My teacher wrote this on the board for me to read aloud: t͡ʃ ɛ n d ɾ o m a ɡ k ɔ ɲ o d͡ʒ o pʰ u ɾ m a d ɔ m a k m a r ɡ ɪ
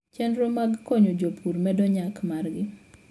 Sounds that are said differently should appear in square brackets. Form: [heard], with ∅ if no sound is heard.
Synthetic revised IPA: t͡ʃ ɛ n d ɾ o m a ɡ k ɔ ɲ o d͡ʒ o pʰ u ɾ m [ɛ] d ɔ [ɲ] a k m a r ɡ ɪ